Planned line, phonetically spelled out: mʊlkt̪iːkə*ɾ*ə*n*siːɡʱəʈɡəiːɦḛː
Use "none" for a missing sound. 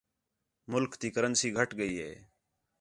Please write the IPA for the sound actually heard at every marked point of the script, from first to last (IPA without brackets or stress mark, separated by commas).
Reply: ɾ, n